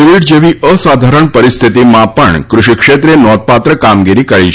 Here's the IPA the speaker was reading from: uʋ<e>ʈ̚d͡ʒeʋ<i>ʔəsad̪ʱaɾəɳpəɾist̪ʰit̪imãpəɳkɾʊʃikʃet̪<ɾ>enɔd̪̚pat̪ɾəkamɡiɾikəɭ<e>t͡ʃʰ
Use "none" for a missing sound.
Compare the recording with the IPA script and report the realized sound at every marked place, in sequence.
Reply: i, i, ɾ, i

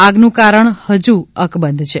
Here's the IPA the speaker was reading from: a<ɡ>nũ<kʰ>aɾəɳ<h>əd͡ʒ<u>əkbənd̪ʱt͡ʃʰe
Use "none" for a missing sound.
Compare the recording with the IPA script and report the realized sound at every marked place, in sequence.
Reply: ɡ, k, h, u

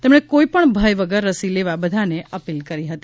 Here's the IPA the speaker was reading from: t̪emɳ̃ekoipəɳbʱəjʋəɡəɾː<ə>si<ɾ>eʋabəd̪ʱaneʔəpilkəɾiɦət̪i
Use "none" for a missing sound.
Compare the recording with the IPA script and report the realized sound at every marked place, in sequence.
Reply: ə, l

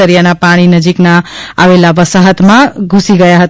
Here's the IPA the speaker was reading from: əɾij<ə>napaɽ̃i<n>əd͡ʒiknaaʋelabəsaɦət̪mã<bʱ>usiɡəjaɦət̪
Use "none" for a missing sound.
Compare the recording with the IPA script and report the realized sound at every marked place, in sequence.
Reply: a, n, ɡʱ

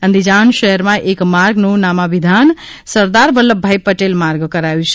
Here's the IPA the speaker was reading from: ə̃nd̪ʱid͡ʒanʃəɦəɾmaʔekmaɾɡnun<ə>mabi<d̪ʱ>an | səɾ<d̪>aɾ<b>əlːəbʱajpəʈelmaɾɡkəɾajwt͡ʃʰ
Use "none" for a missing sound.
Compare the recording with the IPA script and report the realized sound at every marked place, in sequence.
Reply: a, d̪ʱ, d̪, b

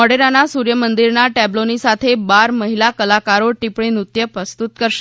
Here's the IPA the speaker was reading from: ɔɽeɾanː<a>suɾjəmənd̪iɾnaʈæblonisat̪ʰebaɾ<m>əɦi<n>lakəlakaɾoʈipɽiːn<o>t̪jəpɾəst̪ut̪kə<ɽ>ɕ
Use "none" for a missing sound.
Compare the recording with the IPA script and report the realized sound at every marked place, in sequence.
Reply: a, m, none, u, ɾ

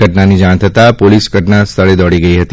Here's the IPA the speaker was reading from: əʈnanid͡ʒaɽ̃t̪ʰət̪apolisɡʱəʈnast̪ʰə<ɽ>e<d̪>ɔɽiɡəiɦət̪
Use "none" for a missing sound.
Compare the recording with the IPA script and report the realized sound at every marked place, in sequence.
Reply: ɭ, d̪

